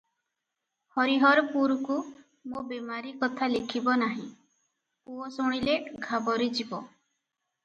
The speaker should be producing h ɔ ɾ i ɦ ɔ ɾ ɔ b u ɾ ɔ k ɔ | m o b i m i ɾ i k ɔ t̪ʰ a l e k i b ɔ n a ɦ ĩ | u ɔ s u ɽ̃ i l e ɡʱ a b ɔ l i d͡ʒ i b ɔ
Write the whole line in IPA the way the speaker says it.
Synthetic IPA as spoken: h ɔ ɾ i ɦ ɔ ɾ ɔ p u ɾ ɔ k u | m o b e m a ɾ i k ɔ t̪ʰ a l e kʰ i b ɔ n a ɦ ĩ | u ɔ s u ɽ̃ i l e ɡʱ a b ɔ ɾ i d͡ʒ i b ɔ